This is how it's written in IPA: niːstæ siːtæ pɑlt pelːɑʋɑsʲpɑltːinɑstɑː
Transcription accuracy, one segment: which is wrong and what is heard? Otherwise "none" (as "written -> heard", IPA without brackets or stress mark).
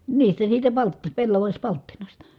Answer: ɑː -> ɑ